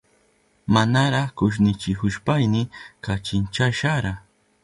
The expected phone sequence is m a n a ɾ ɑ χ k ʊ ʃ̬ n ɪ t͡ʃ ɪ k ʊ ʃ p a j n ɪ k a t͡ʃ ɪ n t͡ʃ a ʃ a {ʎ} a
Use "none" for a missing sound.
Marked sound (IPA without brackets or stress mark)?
ɾ